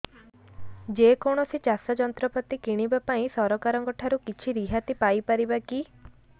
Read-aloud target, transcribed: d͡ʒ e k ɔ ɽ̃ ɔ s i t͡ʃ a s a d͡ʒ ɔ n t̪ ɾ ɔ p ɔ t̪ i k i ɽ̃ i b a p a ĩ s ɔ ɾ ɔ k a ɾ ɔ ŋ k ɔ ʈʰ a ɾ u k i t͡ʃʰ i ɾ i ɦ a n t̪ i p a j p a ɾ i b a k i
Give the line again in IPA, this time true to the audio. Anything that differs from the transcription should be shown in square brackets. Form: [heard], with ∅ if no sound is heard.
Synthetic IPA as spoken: d͡ʒ e k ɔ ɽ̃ ɔ s i t͡ʃ a s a d͡ʒ ɔ n t̪ ɾ ɔ p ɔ t̪ i k i ɽ̃ i b a p a ĩ s ɔ ɾ ɔ k a ɾ ɔ ŋ k ɔ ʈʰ a ɾ u k i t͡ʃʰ i ɾ i ɦ a [∅] t̪ i p a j p a ɾ i b a k i